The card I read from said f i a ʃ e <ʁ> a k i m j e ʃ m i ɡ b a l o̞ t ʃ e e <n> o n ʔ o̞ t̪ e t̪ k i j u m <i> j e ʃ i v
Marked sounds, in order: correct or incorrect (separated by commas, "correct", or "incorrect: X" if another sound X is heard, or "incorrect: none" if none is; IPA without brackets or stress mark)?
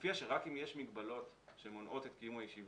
correct, incorrect: m, incorrect: a